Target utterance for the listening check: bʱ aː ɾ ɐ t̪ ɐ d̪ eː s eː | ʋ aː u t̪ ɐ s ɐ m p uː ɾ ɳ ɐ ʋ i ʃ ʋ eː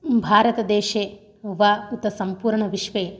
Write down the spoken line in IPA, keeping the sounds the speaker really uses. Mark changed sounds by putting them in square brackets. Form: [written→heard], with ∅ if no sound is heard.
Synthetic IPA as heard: bʱ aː ɾ ɐ t̪ ɐ d̪ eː [s→ʃ] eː | ʋ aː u t̪ ɐ s ɐ m p uː ɾ ɳ ɐ ʋ i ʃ ʋ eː